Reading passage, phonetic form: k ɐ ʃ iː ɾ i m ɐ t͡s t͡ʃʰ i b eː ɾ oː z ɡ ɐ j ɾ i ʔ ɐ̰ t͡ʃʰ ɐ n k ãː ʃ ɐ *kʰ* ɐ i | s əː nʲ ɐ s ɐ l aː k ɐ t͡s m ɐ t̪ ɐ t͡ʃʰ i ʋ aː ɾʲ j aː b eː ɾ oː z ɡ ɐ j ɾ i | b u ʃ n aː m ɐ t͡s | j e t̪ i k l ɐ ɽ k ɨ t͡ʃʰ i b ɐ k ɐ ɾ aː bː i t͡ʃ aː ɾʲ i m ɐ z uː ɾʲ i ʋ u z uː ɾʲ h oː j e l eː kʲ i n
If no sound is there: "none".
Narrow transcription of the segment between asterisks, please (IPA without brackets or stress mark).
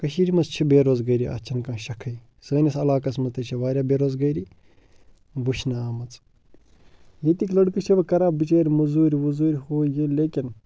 kʰ